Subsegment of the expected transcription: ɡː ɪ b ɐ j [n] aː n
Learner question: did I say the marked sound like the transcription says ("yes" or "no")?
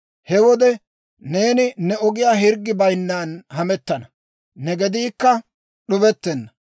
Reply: no